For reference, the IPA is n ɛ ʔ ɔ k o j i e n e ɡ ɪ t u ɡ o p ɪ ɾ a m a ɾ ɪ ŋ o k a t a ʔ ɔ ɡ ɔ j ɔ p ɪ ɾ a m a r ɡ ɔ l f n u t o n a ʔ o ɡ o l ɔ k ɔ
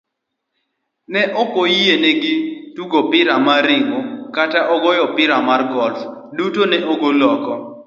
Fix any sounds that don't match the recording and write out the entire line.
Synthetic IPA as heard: n ɛ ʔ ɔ k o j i e n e ɡ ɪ t u ɡ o p ɪ ɾ a m a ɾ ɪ ŋ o k a t a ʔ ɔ ɡ ɔ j ɔ p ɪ ɾ a m a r ɡ ɔ l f d u t o n ɛ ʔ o ɡ o l ɔ k ɔ